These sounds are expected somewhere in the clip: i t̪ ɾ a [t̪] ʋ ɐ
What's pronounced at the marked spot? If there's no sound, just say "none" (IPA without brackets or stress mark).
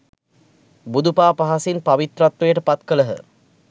t̪